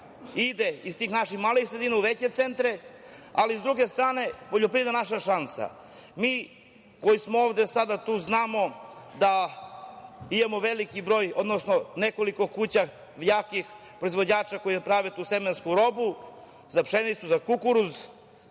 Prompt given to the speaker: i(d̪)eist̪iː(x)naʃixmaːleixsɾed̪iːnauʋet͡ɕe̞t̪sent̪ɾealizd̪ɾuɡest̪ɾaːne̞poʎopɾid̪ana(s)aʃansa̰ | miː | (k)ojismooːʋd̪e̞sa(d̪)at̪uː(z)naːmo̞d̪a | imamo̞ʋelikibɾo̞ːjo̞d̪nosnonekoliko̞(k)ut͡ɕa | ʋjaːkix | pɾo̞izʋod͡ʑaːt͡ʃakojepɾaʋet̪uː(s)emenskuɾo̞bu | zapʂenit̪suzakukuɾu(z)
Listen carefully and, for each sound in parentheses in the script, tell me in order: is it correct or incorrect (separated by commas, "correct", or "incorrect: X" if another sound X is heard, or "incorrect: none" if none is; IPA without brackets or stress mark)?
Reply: correct, correct, incorrect: ʃ, correct, correct, correct, correct, correct, correct